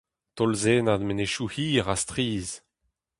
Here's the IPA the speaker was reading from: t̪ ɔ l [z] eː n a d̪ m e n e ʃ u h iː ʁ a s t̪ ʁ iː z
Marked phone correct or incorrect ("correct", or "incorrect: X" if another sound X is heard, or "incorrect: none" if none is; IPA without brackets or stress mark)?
correct